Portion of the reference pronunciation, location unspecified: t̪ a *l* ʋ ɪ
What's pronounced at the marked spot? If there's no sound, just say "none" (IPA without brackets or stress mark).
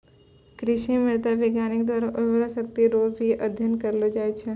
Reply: none